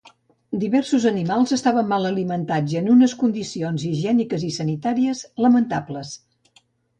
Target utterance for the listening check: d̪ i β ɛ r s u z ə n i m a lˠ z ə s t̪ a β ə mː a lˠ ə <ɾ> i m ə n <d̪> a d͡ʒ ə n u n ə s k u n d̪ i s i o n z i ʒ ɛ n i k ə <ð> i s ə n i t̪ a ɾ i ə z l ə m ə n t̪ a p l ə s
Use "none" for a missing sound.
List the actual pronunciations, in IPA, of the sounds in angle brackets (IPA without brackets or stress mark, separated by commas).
l, t̪, z